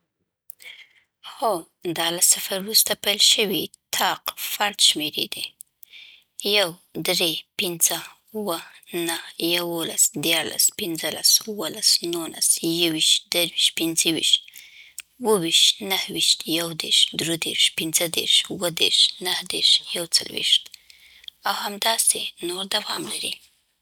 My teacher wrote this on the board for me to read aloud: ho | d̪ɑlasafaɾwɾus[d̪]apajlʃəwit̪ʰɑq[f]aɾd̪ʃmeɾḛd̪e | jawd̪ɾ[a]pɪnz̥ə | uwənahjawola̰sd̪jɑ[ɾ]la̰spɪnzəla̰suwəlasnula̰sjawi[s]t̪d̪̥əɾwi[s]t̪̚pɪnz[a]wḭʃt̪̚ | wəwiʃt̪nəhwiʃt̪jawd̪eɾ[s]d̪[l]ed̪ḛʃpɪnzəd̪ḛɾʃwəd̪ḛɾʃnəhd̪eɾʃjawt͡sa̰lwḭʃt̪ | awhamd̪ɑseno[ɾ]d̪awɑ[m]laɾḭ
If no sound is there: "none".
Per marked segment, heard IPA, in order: t̪, f, e, ɾ, ʃ, ʃ, ə, ʃ, ɾ, ɾ, m

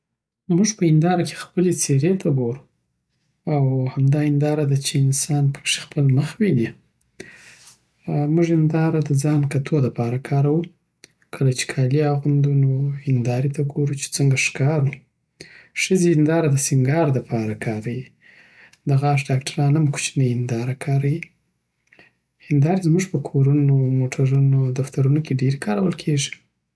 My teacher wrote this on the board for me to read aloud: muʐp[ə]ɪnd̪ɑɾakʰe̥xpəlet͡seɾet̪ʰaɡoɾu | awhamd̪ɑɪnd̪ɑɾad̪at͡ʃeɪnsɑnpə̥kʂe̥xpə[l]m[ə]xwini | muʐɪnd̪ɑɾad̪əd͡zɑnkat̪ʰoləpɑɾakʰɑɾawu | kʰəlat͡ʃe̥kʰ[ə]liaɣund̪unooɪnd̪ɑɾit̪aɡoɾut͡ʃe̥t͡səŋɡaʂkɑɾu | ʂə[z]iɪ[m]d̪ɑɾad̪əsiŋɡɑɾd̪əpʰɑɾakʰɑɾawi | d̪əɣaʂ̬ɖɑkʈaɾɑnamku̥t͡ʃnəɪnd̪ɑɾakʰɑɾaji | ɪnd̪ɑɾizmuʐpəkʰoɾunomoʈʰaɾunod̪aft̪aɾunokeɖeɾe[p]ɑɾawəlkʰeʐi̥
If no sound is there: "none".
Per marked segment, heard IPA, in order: ə, l, ə, ɑ, z, n, k

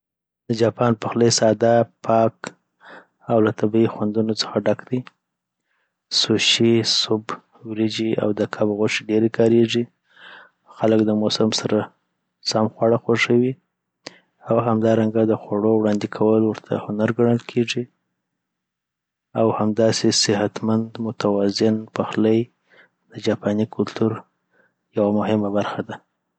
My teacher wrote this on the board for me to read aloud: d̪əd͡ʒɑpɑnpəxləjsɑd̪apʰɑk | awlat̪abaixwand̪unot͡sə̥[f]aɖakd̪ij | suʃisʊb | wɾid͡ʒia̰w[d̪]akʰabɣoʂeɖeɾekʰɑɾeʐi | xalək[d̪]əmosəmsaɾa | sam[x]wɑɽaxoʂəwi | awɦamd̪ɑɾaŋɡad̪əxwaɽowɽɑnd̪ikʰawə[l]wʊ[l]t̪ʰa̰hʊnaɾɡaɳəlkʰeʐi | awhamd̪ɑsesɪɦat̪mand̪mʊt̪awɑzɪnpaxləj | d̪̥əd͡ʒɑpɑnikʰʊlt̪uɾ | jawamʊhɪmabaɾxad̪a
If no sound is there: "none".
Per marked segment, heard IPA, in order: x, d̪, d̪, x, l, ɾ

